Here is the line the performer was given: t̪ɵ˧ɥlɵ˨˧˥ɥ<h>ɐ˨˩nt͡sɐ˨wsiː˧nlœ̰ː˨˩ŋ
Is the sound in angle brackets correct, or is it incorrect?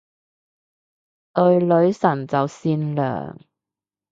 incorrect